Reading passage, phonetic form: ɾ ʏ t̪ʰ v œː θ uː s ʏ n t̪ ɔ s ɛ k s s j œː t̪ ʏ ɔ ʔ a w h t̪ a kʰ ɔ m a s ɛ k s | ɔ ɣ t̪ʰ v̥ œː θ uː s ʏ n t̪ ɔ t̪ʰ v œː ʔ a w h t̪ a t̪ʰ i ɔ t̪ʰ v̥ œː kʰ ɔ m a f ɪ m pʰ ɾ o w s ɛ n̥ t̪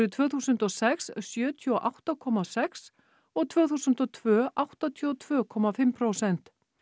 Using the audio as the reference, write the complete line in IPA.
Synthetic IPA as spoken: ɾ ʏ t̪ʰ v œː θ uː s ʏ n t̪ ɔ s ɛ k s s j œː t̪ʰ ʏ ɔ ʔ a w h t̪ a kʰ ɔ m a s ɛ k s | ɔ ɣ t̪ʰ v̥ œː θ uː s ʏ n t̪ ɔ t̪ʰ v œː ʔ a w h t̪ a t̪ʰ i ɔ t̪ʰ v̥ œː kʰ ɔ m a f ɪ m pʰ ɾ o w s ɛ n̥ t̪